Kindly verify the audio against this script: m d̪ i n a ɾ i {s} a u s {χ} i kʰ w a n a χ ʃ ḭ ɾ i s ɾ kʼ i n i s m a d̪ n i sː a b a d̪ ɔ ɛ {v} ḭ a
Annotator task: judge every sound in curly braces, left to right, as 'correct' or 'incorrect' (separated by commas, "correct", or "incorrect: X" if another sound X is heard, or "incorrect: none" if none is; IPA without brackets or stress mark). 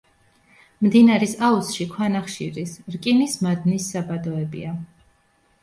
correct, incorrect: ʃ, incorrect: b